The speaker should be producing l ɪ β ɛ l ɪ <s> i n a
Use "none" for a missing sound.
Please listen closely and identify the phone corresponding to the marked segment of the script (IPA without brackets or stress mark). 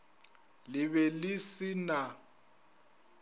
s